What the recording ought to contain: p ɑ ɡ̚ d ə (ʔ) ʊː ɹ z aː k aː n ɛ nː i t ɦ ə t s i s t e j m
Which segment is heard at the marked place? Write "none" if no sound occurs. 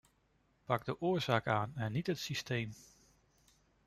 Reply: ʔ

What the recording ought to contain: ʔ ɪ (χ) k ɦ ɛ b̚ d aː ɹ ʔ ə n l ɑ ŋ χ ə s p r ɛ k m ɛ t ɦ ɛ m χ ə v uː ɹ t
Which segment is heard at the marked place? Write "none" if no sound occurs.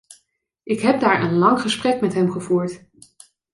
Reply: none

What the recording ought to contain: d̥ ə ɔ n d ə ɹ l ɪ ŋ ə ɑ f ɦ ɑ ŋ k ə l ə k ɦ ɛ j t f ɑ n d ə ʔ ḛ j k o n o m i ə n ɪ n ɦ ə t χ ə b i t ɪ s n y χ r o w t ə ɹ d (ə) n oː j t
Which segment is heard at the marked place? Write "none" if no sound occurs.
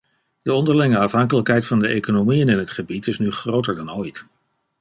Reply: ɑ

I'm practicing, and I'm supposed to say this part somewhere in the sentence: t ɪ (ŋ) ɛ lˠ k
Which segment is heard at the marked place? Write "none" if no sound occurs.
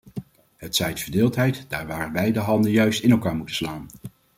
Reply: n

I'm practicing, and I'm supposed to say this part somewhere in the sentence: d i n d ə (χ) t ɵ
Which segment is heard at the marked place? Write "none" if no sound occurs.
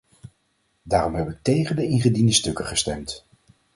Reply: s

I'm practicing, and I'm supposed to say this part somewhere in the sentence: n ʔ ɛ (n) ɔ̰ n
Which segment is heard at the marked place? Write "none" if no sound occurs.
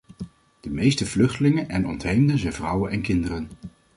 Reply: n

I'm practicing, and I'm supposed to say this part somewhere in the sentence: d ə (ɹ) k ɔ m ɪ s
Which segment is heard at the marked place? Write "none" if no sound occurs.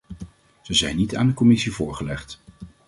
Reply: none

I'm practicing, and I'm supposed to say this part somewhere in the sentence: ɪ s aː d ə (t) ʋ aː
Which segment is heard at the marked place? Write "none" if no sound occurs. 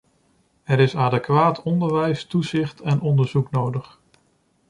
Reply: k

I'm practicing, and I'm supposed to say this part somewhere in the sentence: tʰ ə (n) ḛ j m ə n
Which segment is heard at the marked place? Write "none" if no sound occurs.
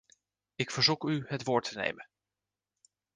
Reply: n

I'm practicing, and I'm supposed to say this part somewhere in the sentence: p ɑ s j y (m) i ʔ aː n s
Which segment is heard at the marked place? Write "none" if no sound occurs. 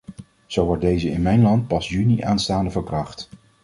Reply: n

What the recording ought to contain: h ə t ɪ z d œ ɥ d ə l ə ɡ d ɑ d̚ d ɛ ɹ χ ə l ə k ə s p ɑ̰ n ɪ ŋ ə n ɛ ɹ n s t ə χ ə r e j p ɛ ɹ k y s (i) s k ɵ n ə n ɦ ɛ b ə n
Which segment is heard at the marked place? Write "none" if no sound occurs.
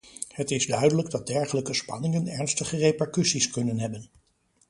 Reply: i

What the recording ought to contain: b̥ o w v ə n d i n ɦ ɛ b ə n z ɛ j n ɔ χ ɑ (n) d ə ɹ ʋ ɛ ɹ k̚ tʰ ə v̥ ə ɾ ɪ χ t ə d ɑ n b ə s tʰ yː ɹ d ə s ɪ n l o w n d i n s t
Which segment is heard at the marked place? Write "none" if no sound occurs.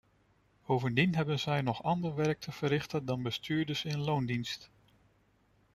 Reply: n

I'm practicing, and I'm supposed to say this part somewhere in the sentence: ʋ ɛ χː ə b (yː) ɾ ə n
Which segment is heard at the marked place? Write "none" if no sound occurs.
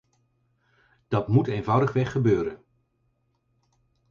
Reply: øː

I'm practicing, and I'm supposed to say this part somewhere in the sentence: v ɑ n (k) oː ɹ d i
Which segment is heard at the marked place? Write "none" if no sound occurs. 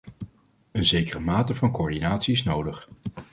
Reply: k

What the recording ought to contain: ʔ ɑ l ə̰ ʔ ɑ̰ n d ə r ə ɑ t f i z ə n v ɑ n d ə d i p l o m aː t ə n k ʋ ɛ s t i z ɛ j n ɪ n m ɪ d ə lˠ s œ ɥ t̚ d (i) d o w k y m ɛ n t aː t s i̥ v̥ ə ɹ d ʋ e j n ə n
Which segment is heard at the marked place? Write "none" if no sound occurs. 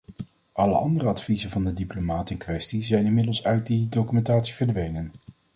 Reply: i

